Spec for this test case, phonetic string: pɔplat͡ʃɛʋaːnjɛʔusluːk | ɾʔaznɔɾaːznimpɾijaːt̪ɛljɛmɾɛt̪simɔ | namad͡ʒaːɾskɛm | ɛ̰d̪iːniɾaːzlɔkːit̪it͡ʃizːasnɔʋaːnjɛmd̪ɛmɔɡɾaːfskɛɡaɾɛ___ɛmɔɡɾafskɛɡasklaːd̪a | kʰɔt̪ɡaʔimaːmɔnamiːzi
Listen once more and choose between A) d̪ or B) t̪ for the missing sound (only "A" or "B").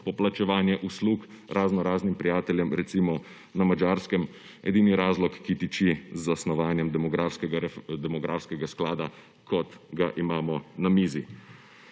A